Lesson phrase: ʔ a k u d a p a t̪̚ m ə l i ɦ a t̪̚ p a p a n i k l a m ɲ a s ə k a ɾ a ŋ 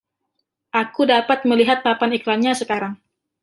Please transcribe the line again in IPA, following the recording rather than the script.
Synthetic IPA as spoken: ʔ a k u d a p a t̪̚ m ə l i ɦ a t̪̚ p a p a n i k l a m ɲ a s ə k a ɾ a ŋ